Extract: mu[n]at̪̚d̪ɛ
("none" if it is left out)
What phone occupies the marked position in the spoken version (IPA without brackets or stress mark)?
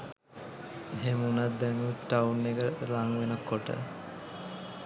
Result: n